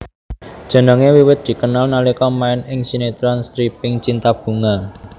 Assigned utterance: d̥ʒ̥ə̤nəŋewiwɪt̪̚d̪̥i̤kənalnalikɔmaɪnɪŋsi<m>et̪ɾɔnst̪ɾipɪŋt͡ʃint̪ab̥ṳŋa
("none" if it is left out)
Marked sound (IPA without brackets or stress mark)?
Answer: n